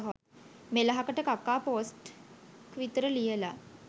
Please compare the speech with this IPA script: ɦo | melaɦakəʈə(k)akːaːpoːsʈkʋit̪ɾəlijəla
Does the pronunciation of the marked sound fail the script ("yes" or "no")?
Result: no